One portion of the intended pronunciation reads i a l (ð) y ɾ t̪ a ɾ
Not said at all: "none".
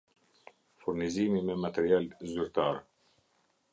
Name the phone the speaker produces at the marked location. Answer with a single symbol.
z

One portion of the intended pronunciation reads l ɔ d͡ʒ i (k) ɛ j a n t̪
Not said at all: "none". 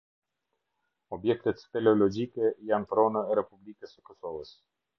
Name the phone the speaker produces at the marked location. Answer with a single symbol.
k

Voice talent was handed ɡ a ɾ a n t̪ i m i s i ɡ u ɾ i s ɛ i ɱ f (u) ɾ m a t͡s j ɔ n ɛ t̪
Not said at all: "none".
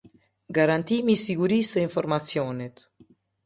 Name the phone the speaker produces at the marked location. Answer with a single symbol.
ɔ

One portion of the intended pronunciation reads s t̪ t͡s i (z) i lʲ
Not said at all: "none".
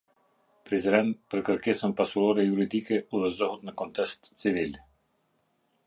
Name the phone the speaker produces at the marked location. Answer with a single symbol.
v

